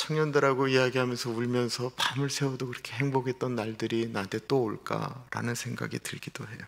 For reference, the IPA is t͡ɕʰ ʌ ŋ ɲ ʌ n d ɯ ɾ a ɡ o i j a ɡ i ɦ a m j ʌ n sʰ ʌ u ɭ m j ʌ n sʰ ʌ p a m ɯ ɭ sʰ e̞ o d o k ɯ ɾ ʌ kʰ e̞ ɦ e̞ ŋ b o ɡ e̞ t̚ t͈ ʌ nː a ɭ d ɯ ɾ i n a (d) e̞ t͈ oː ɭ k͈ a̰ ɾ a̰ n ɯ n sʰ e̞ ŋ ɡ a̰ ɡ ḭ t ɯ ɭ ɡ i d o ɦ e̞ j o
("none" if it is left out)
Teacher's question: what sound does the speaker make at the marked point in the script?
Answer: d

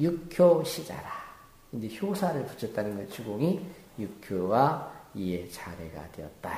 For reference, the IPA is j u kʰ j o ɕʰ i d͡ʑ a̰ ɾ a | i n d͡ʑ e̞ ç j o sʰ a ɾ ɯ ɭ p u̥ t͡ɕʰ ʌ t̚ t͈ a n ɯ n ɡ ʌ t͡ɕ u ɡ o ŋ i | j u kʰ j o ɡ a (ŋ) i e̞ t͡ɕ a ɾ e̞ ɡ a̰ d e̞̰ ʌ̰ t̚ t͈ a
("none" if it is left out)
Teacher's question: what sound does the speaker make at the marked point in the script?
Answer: none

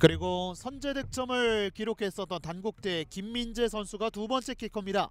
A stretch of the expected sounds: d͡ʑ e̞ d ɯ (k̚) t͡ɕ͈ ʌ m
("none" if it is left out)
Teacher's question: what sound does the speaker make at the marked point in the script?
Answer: k̚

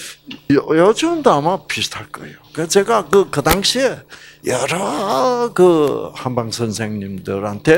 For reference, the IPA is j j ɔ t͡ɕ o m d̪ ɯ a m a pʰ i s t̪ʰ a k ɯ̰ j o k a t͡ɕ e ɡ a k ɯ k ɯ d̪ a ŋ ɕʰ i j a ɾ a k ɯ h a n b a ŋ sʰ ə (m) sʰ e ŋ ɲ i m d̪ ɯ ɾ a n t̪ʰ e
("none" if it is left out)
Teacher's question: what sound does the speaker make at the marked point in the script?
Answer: n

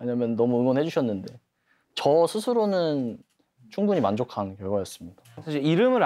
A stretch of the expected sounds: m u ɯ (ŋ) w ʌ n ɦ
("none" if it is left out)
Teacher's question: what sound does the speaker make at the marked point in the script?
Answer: ŋ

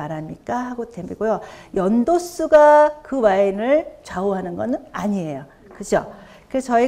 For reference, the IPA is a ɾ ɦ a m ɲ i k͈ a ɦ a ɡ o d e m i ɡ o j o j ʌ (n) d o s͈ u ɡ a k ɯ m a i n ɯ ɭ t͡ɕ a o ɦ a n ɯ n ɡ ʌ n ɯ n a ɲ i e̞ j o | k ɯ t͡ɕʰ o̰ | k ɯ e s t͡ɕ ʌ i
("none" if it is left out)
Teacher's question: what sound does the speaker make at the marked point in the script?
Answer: n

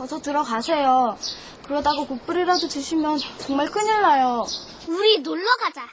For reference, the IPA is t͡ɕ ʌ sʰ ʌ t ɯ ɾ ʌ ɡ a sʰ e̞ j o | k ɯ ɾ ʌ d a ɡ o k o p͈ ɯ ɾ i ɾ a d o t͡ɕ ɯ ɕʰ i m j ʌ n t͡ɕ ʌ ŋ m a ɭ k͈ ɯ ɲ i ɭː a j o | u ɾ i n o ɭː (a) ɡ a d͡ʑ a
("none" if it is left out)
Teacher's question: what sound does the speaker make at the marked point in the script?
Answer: ʌ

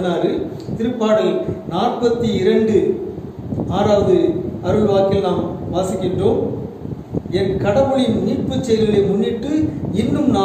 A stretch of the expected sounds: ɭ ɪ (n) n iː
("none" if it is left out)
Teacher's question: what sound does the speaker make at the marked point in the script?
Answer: n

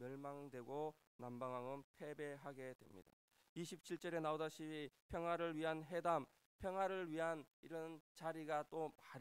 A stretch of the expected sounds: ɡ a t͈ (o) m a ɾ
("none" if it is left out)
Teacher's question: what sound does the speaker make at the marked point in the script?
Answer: o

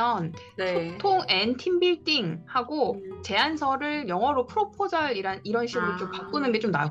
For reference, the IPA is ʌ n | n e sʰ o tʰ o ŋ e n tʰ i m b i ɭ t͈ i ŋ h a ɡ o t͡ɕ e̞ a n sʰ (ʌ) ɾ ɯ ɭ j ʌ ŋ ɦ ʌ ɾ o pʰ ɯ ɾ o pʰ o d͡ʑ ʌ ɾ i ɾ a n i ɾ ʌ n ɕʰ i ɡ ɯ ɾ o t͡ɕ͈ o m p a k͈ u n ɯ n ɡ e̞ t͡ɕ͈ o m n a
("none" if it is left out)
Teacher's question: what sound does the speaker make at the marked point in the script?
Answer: ʌ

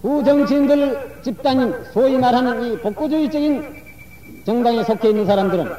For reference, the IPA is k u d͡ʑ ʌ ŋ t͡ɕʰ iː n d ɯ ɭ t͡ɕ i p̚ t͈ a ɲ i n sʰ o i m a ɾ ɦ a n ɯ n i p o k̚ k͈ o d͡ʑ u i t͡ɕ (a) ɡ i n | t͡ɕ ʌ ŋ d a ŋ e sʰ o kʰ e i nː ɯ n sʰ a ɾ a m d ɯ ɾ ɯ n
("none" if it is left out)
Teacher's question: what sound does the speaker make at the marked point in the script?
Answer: ʌ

